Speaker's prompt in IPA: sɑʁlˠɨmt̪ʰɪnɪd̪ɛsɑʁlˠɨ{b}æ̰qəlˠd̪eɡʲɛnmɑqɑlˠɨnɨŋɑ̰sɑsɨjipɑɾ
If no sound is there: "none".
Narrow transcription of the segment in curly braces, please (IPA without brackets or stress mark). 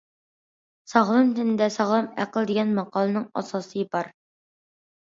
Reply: m